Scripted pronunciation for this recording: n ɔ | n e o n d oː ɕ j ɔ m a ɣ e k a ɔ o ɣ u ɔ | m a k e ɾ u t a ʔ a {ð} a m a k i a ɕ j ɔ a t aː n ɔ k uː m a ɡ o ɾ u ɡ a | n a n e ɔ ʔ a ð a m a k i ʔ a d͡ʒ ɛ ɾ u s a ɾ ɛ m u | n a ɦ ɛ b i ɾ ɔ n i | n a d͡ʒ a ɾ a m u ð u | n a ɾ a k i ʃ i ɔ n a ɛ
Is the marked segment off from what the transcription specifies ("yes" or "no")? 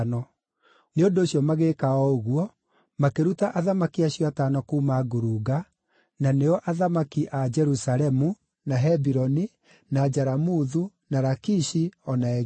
no